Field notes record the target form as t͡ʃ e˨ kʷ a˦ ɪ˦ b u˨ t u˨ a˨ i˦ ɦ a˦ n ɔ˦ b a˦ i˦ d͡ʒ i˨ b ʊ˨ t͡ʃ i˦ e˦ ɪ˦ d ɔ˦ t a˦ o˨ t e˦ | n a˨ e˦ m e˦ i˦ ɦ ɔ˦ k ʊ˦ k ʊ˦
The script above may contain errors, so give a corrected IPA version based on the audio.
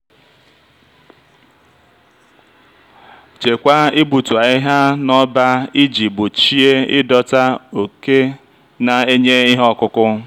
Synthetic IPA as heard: t͡ʃ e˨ kʷ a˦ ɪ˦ b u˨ t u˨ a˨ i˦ ɦ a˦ n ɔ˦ b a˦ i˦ d͡ʒ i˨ b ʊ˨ t͡ʃ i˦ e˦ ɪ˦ d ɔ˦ t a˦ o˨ k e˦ | n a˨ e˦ ɲ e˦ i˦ ɦ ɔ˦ k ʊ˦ k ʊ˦

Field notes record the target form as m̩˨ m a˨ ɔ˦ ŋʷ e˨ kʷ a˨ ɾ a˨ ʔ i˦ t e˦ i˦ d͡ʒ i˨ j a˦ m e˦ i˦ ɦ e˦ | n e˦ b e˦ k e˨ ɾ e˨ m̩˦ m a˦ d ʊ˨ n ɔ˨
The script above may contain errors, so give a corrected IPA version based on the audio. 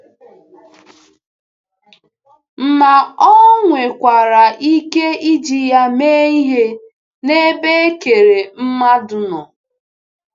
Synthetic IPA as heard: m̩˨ m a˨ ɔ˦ ŋʷ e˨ kʷ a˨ ɾ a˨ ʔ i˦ k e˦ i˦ d͡ʒ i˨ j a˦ m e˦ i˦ ɦ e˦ | n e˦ b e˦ k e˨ ɾ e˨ m̩˦ m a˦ d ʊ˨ n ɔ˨

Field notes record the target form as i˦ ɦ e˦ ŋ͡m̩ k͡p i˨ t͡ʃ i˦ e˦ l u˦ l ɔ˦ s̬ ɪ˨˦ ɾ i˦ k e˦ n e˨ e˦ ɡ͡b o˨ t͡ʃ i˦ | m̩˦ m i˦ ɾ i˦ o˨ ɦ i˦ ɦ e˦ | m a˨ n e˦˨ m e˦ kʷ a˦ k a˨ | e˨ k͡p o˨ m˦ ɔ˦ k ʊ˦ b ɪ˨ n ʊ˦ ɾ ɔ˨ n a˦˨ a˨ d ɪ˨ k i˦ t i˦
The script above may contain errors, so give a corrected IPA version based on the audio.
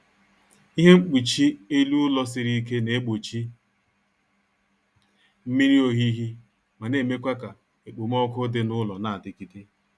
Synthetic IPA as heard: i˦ ɦ e˦ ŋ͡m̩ k͡p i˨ t͡ʃ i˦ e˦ l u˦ l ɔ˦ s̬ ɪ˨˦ ɾ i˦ k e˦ n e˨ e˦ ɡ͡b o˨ t͡ʃ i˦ | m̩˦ m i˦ ɾ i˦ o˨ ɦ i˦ ɦ i˦ | m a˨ n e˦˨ m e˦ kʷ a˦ k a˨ | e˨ k͡p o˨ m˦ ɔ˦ k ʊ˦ d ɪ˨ n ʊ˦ l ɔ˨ n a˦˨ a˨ d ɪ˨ k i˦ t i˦

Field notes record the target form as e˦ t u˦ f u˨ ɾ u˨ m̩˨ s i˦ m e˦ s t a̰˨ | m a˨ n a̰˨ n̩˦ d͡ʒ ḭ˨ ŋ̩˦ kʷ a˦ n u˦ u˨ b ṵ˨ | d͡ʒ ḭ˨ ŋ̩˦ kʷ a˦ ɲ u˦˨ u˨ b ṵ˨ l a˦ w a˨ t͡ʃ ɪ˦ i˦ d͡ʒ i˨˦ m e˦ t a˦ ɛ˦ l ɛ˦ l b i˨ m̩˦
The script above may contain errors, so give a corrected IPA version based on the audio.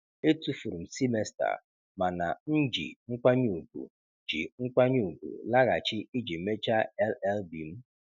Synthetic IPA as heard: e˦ t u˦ f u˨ ɾ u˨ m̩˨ s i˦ m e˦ s t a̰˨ | m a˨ n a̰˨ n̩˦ d͡ʒ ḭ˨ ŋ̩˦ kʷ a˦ ɲ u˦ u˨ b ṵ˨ | d͡ʒ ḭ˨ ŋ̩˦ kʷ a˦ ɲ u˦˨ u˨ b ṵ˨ l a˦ ɣ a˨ t͡ʃ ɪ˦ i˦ d͡ʒ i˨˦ m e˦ t͡ʃ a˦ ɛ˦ l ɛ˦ l b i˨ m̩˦

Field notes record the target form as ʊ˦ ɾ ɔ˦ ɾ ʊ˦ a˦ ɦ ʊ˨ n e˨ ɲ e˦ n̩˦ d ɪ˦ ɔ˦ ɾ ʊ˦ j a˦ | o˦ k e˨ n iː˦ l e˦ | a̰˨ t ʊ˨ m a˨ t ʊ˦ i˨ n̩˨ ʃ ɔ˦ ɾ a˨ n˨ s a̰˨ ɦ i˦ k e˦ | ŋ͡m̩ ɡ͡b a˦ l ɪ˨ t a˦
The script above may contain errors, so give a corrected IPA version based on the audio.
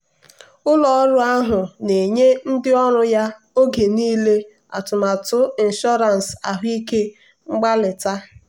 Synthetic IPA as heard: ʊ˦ l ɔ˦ ɾ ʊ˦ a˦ ɦ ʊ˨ n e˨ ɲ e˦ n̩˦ d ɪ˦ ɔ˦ ɾ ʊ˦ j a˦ | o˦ ɡ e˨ n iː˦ l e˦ | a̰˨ t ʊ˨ m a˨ t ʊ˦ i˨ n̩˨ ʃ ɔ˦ ɾ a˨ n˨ s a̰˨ ɦ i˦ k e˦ | ŋ͡m̩ ɡ͡b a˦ l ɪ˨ t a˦

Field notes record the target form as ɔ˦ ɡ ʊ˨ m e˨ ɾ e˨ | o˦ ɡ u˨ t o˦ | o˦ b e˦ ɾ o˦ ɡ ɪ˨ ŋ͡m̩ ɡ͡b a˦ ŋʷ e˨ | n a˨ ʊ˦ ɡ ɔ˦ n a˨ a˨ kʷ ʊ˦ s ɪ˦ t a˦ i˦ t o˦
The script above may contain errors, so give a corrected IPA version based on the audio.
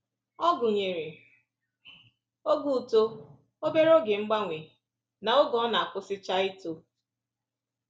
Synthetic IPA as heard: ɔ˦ ɡ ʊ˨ ɲ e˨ ɾ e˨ | o˦ ɡ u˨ t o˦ | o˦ b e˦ ɾ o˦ ɡ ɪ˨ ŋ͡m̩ ɡ͡b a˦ ŋʷ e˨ | n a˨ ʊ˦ ɡ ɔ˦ n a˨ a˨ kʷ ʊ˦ s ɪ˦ t͡ʃ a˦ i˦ t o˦

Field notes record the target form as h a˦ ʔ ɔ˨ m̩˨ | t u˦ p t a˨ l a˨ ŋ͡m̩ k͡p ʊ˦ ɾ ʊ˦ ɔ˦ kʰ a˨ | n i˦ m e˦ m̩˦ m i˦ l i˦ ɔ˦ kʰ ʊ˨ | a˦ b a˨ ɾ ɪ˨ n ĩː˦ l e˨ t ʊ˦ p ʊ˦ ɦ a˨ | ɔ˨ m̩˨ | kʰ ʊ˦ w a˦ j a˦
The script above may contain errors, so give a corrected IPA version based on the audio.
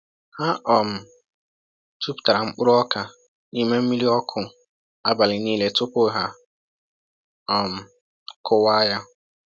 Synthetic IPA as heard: h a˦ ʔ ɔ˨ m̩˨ | t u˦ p t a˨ ɾ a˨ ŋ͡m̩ k͡p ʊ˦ ɾ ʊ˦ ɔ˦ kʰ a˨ | n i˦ m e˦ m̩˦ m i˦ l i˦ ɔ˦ kʰ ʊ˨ | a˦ b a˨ l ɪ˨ n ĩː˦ l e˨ t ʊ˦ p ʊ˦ ɦ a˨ | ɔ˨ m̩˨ | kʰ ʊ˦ w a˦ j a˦

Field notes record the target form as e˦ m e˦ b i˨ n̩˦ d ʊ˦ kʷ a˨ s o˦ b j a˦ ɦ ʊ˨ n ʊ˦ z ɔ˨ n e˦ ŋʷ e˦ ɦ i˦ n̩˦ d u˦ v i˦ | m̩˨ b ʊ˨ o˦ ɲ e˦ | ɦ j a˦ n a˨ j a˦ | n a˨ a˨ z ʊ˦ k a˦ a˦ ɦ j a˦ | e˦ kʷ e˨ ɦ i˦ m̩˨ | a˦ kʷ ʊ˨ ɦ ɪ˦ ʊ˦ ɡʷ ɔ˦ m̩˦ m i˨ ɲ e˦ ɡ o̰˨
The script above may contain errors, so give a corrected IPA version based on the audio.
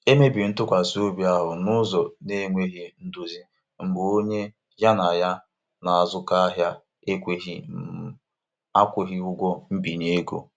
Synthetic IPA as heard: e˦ m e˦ b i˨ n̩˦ t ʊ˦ kʷ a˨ s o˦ b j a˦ ɦ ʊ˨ n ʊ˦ z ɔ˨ n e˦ ŋʷ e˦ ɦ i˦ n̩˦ d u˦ z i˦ | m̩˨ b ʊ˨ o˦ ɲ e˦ | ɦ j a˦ n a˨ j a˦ | n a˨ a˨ z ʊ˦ k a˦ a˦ ɦ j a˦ | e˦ kʷ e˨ ɦ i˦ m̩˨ | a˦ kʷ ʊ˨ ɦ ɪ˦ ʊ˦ ɡʷ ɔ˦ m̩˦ b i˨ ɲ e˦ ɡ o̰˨

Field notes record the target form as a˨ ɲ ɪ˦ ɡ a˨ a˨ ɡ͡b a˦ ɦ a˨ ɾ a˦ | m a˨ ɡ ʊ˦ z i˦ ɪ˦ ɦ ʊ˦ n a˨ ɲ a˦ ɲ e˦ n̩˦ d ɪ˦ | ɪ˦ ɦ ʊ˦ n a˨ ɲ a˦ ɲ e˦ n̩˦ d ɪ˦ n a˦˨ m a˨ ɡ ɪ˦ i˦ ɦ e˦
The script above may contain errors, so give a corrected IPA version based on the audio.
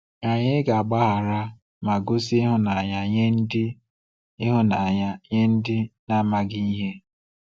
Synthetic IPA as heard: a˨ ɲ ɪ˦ ɡ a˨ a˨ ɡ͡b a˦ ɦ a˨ ɾ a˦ | m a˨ ɡ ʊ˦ s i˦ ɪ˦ ɦ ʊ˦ n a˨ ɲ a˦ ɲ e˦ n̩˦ d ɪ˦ | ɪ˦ ɦ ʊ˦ n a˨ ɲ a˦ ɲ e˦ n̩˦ d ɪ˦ n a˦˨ m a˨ ɡ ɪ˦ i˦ ɦ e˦

